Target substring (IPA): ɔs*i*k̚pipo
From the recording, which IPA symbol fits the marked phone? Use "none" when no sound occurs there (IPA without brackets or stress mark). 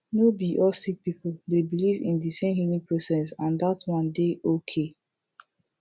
i